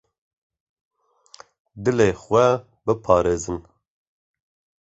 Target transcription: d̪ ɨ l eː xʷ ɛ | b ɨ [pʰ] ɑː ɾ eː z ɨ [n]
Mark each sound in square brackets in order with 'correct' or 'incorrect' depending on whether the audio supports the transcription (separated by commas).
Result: correct, correct